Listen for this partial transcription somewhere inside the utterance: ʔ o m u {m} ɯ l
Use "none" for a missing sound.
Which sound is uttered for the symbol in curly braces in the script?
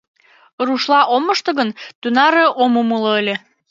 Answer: m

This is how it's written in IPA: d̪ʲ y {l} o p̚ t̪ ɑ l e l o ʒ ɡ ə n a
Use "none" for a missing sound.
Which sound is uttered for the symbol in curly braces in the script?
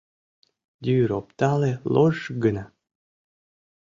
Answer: ɾ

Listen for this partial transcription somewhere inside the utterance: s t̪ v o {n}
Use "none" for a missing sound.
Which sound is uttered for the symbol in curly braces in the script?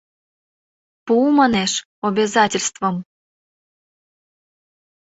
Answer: m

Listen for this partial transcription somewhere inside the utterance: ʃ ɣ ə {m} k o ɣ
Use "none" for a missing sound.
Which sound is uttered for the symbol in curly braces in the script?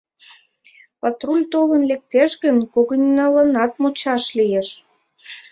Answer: n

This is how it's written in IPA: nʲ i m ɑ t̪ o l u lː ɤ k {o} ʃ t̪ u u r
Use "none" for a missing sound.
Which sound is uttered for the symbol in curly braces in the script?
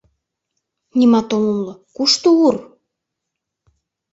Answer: u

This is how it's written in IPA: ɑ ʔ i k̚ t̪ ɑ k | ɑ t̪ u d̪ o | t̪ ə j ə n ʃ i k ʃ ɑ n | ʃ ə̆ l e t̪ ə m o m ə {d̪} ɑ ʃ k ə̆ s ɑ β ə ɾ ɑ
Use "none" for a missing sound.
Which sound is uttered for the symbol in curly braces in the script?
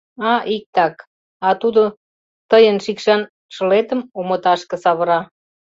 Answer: t̪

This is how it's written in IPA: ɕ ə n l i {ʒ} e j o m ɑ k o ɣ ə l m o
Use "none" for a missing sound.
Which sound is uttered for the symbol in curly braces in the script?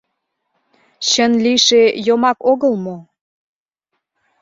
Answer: ʃ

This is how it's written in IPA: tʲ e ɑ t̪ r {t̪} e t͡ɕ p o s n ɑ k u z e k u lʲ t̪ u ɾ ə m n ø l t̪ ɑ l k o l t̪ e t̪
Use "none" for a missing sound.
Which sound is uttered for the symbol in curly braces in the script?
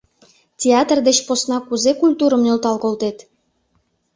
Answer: d̪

